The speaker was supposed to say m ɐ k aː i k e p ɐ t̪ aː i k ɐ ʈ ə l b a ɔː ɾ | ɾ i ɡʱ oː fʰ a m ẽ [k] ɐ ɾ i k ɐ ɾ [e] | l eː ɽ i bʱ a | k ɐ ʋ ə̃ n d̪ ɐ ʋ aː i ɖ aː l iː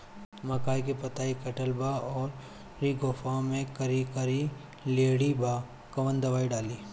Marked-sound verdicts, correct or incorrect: correct, incorrect

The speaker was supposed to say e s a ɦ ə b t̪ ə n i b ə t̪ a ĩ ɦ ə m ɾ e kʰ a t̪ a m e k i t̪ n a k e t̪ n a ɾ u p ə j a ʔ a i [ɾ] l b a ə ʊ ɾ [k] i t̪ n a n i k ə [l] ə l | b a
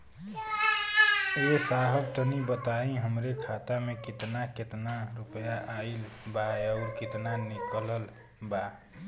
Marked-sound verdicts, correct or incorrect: incorrect, correct, correct

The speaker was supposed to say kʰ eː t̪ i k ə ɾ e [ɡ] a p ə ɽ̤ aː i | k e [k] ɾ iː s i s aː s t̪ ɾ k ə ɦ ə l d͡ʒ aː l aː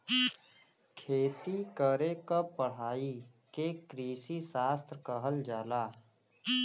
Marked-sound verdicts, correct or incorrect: incorrect, correct

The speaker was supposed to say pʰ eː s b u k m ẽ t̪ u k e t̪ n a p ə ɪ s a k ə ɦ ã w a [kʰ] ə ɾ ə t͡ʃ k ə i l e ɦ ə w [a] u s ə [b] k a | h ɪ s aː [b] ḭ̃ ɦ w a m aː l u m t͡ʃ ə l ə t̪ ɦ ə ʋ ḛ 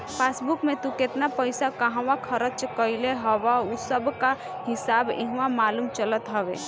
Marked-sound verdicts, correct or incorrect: correct, correct, correct, correct

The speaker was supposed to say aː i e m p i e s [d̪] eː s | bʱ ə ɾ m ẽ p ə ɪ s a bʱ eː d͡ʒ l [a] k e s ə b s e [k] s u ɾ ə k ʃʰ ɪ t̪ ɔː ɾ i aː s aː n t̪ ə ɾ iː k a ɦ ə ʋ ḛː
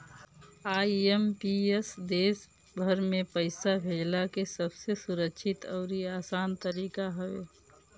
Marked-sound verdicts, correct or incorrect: correct, correct, incorrect

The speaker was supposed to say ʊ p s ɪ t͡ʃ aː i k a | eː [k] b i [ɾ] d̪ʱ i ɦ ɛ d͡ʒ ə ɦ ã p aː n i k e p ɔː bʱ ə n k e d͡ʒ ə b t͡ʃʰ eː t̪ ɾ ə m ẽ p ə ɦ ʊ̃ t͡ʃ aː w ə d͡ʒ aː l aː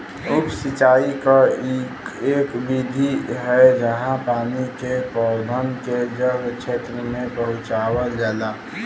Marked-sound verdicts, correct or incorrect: correct, incorrect

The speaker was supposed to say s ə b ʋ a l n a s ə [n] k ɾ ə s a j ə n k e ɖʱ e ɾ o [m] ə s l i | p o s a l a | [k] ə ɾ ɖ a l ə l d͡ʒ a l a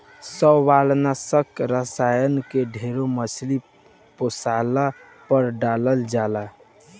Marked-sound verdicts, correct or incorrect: incorrect, correct, incorrect

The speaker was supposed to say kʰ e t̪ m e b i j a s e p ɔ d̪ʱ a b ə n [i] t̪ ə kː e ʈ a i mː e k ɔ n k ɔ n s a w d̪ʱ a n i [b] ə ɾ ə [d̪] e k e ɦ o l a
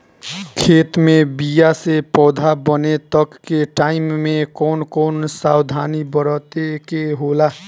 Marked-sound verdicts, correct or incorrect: incorrect, correct, incorrect

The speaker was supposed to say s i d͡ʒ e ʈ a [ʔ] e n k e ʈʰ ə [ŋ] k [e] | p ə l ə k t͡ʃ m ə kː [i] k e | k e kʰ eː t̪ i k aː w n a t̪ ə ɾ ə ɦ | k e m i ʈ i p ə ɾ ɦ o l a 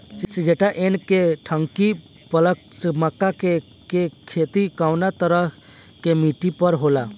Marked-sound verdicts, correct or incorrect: correct, correct, incorrect, incorrect

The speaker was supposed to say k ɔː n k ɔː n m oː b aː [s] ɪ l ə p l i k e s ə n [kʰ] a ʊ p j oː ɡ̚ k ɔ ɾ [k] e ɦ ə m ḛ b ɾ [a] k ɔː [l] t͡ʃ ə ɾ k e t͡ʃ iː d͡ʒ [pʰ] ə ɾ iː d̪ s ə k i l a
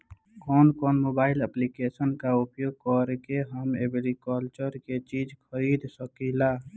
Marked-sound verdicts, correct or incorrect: incorrect, incorrect, correct, incorrect, correct, incorrect

